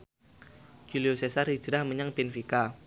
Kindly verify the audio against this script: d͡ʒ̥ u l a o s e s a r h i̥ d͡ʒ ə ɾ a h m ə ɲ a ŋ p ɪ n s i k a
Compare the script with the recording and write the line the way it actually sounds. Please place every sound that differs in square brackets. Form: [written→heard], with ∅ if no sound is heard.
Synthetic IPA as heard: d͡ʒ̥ u l [a→i] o s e s a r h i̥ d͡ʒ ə ɾ a h m ə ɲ a ŋ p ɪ n [s→f] i k a